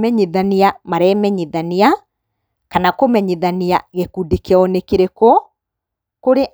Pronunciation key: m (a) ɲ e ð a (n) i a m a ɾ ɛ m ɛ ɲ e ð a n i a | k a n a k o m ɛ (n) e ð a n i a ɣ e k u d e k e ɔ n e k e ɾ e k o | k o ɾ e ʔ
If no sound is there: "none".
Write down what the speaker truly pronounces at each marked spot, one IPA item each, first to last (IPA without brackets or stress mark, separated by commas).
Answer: ɛ, n, ɲ